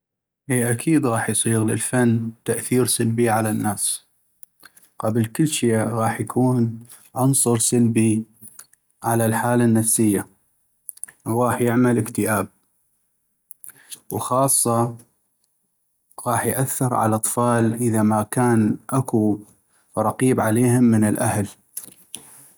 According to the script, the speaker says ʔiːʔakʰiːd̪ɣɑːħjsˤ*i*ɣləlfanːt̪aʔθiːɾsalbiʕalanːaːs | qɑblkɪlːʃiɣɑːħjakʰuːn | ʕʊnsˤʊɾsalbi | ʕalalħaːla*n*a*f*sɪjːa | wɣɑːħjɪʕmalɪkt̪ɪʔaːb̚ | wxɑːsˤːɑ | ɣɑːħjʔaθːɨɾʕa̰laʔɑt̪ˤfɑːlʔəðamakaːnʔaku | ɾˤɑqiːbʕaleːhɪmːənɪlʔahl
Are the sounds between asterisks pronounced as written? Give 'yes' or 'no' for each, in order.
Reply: no, no, yes

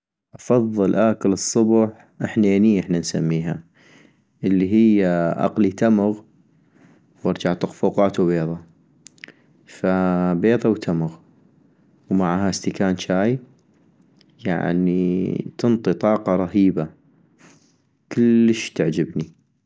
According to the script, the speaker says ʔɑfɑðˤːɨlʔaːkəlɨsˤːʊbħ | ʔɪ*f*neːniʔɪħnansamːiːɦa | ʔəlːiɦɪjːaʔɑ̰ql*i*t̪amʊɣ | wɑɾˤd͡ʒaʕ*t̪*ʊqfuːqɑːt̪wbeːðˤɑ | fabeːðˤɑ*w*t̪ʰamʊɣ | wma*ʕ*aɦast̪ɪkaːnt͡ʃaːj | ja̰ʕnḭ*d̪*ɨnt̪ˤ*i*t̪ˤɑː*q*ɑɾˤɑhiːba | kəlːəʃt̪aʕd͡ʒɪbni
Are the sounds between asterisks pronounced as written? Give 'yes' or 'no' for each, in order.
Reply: no, yes, yes, yes, yes, no, yes, yes

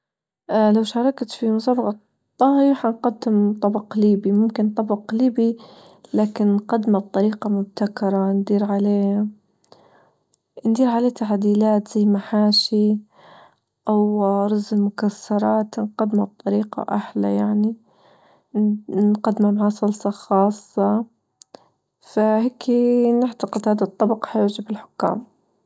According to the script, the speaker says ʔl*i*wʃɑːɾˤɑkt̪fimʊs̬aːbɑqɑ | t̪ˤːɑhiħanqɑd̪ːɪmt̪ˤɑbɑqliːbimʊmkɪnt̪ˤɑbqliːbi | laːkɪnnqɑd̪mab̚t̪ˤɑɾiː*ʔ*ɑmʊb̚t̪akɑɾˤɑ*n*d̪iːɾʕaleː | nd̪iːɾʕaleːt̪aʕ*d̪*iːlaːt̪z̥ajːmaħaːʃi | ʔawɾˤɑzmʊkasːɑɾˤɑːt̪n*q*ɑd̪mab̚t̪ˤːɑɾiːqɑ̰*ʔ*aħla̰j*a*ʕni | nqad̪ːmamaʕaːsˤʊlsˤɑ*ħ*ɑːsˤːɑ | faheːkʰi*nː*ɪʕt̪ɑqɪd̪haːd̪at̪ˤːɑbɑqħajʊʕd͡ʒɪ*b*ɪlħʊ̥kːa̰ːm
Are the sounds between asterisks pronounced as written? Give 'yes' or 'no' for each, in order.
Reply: no, no, yes, yes, yes, yes, yes, no, no, yes

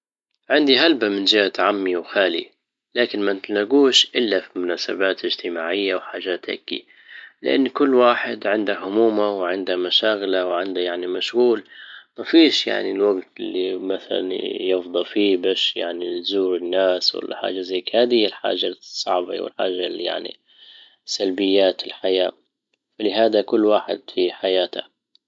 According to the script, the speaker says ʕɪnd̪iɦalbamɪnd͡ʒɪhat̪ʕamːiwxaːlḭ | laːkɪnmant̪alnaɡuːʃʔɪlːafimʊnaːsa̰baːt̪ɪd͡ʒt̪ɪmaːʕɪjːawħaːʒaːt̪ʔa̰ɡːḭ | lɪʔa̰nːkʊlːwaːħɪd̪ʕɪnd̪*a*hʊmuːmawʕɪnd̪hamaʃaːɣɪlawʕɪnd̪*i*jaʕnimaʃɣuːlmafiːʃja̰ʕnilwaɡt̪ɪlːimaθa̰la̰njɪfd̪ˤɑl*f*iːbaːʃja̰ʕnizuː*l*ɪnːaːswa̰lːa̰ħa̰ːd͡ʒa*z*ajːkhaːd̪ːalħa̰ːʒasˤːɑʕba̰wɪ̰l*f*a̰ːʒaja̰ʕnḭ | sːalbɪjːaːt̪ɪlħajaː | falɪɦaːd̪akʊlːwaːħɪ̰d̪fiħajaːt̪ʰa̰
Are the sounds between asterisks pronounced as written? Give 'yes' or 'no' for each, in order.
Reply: yes, no, yes, no, yes, no

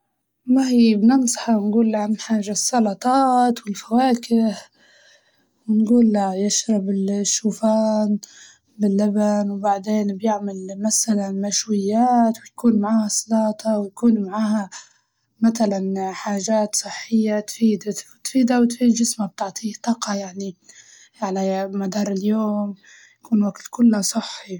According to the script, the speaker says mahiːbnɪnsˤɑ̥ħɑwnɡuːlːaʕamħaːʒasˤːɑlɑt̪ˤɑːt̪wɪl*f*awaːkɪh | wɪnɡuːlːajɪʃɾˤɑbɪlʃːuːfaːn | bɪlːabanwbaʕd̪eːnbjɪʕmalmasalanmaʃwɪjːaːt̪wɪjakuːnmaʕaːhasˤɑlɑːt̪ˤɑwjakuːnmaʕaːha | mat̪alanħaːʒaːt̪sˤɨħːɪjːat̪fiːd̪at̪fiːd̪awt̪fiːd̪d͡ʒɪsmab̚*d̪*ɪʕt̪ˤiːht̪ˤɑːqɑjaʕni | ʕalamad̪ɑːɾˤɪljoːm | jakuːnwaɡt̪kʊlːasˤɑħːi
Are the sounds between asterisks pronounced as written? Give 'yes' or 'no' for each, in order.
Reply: yes, no

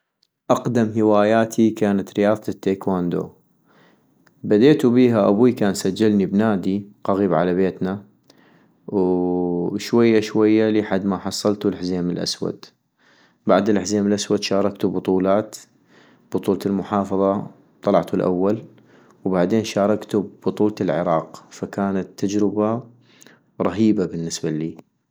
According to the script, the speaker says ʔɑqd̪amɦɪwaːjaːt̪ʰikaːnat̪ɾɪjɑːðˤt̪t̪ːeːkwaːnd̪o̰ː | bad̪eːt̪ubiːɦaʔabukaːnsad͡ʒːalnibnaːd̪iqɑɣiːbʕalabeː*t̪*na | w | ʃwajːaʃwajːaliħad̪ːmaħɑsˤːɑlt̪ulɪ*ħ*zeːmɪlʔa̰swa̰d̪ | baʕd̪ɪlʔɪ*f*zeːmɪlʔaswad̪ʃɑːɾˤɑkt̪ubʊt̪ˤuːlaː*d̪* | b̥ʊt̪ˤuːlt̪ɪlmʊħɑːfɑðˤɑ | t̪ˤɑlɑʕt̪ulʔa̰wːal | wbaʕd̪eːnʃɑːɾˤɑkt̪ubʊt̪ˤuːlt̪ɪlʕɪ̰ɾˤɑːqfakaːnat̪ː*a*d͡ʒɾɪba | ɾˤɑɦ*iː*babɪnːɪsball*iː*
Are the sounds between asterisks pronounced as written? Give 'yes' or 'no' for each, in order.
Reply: yes, yes, no, no, yes, yes, yes

